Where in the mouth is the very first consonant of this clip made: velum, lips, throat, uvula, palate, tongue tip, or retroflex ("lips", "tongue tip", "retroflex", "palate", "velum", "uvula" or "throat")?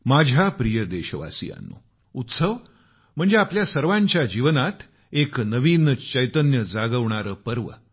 lips